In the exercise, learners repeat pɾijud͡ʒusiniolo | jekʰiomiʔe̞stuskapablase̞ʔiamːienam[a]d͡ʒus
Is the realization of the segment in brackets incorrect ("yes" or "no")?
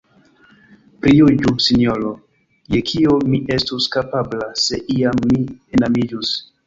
yes